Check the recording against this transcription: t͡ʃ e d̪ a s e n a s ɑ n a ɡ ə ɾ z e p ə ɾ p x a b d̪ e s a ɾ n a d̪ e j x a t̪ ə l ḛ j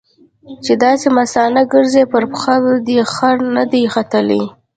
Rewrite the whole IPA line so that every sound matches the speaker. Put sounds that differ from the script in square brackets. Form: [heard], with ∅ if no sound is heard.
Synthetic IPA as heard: t͡ʃ e d̪ [ɑ] s e [m] a s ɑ n a ɡ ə ɾ z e p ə ɾ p x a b d̪ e [x] a ɾ n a d̪ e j x a t̪ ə l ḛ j